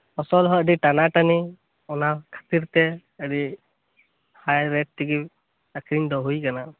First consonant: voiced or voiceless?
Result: voiceless